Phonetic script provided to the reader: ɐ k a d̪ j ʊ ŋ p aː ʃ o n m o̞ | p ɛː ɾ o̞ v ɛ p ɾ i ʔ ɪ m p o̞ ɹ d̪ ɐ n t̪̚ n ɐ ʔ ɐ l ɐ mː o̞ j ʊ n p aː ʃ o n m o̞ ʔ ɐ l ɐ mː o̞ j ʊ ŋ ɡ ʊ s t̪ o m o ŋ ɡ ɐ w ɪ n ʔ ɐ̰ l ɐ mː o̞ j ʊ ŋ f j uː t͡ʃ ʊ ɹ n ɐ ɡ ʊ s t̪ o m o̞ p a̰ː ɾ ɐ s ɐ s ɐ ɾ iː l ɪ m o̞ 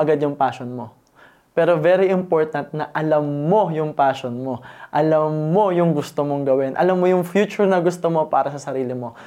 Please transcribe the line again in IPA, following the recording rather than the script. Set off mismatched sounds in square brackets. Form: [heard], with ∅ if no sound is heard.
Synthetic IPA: ɐ [ɡ] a d̪ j ʊ ŋ p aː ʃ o n m o̞ | p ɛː ɾ o̞ v ɛ [∅] ɾ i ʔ ɪ m p o̞ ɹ [t̪] ɐ n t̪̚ n ɐ ʔ ɐ l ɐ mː o̞ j ʊ [ŋ] p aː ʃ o n m o̞ ʔ ɐ l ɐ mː o̞ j ʊ ŋ ɡ ʊ s t̪ o m o ŋ ɡ ɐ w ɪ n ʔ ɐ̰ l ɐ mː o̞ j ʊ ŋ f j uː t͡ʃ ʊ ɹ n ɐ ɡ ʊ s t̪ o m o̞ p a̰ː ɾ ɐ s ɐ s ɐ ɾ iː l ɪ m o̞